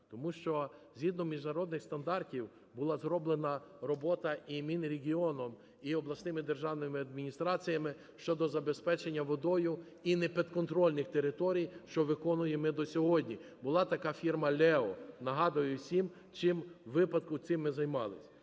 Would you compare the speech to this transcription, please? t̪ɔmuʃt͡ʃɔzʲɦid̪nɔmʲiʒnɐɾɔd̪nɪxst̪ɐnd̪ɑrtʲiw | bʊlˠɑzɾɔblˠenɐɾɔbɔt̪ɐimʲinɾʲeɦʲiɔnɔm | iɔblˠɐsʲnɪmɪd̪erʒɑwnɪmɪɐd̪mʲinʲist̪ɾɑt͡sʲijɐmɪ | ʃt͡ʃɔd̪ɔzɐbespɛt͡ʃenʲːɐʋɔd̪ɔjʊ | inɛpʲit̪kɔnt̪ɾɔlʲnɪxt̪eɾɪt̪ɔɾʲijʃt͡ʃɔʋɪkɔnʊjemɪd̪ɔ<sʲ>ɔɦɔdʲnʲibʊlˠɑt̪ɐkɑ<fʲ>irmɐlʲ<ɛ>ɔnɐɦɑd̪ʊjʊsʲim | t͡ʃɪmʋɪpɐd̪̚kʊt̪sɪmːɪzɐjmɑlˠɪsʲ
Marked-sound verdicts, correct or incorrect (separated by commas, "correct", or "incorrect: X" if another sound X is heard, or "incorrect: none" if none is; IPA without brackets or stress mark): correct, correct, correct